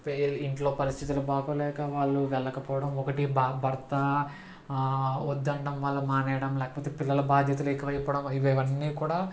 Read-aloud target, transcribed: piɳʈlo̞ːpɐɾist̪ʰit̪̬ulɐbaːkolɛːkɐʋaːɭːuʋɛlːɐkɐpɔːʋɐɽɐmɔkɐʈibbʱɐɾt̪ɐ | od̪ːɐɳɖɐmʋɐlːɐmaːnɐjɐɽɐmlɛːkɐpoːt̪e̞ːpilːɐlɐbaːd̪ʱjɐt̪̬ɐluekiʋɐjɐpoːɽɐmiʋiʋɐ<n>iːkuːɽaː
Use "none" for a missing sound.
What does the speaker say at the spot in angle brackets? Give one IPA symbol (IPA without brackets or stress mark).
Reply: nː